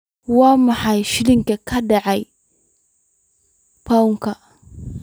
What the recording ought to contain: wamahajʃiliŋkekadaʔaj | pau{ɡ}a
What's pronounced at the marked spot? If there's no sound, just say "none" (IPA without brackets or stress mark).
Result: k